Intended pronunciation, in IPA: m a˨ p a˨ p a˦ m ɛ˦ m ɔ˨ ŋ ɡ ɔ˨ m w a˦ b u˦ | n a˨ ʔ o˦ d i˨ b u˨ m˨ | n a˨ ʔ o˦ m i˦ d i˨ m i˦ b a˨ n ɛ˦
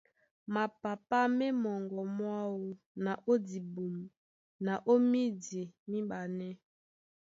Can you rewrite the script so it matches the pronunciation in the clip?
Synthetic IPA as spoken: m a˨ p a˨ p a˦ m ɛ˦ m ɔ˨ ŋ ɡ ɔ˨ m w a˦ w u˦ | n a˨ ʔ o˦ d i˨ b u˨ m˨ | n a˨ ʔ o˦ m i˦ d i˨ m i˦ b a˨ n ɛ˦